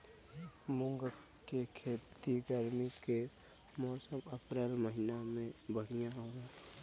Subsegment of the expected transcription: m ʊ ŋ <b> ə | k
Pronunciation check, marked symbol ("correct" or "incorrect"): incorrect